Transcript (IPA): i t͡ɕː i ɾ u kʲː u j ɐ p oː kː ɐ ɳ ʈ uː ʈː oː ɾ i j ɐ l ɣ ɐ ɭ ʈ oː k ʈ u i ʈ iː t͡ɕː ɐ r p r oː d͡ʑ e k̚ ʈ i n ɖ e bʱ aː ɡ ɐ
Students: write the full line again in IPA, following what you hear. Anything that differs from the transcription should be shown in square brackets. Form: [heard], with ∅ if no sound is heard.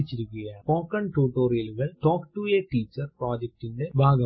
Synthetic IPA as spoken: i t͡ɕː i ɾ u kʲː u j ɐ p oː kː ɐ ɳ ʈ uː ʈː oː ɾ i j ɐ l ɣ ɐ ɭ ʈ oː k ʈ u [e] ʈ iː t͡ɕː ɐ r p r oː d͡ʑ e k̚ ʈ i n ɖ e bʱ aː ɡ ɐ